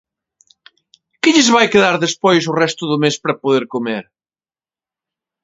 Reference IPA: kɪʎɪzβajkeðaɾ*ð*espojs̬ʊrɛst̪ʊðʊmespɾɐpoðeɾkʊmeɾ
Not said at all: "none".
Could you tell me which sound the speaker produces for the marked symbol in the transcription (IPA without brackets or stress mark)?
ð